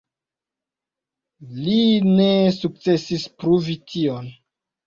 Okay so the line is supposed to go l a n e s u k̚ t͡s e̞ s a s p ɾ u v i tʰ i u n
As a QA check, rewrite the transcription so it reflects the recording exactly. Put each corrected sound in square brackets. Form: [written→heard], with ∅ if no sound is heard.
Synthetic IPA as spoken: l [a→i] n e s u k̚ t͡s e̞ s [a→i] s p ɾ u v i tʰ i [u→o] n